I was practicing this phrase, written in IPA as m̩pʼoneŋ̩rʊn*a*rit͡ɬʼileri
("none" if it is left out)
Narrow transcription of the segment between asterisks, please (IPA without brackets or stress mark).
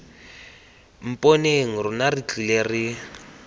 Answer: a